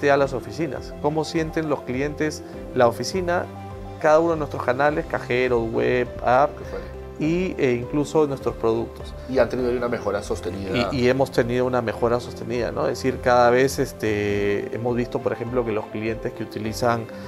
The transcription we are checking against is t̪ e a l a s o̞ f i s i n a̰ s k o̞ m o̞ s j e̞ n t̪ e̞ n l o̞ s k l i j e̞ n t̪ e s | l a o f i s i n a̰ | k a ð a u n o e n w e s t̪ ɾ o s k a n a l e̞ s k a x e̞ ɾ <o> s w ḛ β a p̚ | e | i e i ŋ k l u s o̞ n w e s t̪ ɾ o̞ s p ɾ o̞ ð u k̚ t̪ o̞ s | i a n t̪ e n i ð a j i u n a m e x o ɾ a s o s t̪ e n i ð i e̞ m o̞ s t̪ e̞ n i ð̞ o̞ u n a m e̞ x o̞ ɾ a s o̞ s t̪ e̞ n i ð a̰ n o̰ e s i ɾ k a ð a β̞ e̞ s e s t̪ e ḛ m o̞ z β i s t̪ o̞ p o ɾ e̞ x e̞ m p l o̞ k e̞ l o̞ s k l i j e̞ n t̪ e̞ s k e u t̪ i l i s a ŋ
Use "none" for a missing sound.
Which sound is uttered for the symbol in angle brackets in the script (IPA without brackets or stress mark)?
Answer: o